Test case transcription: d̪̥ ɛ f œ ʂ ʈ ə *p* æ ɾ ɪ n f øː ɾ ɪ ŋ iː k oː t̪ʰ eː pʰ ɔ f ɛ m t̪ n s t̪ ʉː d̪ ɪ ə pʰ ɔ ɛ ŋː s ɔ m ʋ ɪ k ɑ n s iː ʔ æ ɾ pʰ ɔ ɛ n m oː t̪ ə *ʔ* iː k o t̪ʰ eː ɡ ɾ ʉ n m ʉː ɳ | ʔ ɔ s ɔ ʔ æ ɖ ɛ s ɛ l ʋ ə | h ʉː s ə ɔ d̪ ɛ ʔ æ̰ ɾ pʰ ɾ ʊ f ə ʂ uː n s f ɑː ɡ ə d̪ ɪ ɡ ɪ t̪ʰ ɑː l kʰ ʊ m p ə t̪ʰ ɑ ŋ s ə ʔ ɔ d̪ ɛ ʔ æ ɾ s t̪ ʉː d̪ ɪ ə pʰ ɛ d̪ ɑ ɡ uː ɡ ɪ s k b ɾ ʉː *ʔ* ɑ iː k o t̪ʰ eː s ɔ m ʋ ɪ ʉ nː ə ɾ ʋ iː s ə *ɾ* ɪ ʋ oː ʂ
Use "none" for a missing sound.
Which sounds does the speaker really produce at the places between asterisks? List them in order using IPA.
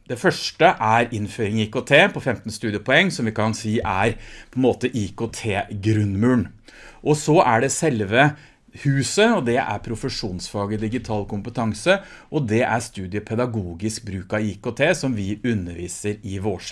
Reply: ʔ, ʔ, k, ɾ

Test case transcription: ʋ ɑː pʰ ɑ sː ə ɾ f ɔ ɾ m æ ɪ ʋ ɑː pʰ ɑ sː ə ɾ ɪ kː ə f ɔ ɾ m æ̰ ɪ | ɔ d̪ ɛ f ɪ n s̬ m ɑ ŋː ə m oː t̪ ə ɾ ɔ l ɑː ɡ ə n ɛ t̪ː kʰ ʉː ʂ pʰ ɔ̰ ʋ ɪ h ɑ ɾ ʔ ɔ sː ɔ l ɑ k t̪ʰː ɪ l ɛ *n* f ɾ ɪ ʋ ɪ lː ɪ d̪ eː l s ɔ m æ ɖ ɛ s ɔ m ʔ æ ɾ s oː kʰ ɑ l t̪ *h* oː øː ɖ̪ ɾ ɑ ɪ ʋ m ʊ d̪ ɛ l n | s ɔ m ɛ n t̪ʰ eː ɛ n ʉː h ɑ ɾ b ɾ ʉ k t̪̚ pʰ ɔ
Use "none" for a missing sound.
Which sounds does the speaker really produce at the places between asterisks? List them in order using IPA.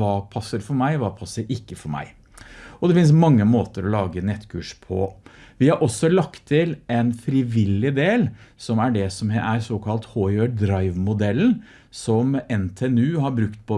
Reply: n, h

